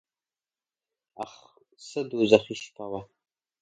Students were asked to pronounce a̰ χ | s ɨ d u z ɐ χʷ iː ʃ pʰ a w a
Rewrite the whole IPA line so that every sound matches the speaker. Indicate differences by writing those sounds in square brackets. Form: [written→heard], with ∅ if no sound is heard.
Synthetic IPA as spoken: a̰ χ | s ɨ d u z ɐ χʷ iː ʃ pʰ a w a